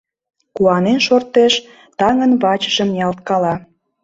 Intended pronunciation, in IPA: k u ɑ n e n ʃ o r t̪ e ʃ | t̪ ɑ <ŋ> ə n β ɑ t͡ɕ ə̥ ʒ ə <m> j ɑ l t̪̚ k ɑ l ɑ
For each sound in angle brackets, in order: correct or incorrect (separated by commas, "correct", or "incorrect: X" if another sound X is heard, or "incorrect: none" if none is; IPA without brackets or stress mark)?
correct, correct